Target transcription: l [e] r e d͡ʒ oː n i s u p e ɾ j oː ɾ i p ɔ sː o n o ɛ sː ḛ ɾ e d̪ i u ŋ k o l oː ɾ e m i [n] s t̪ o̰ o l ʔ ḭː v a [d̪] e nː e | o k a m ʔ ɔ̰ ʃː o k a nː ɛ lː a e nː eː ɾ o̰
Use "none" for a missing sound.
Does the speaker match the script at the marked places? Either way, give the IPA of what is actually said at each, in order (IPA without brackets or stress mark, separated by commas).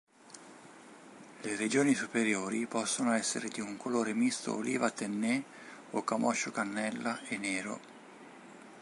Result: e, none, t̪